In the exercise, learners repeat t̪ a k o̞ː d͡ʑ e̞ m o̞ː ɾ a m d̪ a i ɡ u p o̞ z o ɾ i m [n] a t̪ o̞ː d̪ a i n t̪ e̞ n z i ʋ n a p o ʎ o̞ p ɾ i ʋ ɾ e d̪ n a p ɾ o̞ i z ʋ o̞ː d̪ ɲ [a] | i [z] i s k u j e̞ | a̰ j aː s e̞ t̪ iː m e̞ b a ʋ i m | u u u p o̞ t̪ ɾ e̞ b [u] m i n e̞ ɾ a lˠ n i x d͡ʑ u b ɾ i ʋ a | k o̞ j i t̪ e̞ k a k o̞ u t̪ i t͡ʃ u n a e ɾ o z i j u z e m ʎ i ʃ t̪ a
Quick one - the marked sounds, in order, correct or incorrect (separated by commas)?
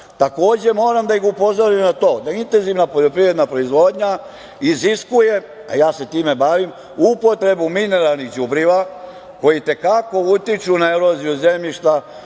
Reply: correct, correct, correct, correct